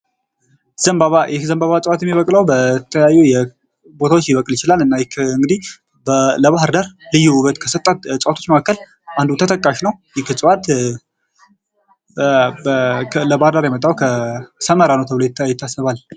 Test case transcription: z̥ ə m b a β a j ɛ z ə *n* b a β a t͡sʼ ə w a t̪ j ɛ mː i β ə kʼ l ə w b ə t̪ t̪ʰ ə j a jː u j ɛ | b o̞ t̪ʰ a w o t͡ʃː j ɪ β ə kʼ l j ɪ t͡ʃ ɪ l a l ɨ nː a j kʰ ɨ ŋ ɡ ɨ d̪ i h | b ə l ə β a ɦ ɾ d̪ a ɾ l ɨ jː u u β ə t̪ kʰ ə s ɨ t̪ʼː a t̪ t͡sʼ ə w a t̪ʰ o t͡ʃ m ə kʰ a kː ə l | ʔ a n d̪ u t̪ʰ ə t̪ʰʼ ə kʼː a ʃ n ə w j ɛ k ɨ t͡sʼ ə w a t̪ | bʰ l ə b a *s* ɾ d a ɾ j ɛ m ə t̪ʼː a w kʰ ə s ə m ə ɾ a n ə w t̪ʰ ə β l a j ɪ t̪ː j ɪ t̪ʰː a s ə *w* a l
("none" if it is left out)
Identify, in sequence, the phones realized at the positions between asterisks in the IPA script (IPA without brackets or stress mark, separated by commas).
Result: m, h, β